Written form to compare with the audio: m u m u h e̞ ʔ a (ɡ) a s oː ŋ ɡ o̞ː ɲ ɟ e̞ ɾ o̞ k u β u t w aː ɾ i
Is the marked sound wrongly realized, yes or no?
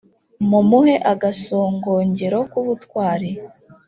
no